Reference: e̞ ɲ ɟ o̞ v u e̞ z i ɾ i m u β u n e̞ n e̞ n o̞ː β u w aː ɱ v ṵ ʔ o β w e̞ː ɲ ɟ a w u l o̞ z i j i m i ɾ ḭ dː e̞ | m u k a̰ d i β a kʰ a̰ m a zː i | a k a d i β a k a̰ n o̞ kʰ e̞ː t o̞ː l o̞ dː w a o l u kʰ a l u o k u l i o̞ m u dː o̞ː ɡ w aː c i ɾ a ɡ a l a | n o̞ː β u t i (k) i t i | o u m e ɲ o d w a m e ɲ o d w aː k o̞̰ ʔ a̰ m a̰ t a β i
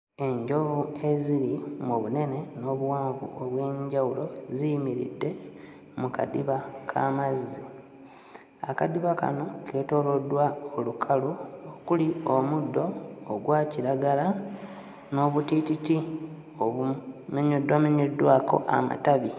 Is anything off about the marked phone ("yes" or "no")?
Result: yes